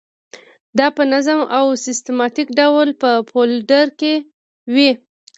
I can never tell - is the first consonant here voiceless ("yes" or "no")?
no